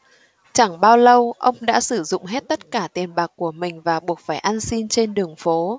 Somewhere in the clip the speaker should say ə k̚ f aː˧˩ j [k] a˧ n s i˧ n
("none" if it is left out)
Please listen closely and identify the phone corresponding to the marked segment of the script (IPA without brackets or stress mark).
ʔ